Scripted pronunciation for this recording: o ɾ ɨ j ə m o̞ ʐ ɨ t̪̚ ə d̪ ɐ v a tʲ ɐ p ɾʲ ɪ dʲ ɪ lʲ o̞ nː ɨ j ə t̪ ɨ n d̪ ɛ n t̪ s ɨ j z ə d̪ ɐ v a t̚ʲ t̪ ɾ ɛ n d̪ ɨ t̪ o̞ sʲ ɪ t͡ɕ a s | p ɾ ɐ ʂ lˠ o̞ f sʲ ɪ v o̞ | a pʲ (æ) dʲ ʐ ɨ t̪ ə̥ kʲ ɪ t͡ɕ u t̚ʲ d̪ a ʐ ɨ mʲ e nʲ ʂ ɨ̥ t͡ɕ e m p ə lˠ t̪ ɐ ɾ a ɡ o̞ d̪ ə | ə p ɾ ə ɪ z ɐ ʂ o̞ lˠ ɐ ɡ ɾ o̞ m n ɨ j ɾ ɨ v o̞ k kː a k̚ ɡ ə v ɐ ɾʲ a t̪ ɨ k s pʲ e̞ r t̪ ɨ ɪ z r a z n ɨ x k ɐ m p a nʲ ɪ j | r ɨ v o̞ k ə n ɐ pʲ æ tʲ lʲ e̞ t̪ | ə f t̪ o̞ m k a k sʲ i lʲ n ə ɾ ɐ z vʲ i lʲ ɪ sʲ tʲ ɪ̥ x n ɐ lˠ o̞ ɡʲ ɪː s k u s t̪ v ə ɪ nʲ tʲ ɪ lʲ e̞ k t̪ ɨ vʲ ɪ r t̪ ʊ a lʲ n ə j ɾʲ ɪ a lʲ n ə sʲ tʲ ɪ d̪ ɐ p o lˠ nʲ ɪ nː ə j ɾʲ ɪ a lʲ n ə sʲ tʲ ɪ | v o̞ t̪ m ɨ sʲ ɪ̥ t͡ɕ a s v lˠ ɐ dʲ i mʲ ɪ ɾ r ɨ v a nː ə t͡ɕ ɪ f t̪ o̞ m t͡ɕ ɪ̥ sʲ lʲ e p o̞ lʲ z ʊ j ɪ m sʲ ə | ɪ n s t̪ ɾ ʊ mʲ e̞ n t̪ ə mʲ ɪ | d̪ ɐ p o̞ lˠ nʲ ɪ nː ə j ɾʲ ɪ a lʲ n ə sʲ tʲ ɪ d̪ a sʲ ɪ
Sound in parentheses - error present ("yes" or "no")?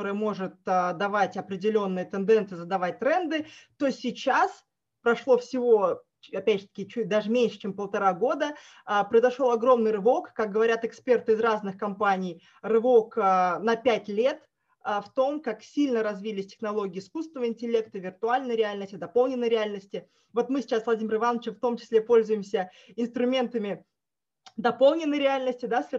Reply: no